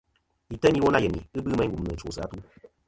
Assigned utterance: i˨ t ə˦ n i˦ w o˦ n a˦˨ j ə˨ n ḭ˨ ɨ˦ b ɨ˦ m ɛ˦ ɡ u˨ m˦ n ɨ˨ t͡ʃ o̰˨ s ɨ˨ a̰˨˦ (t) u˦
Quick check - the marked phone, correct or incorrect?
correct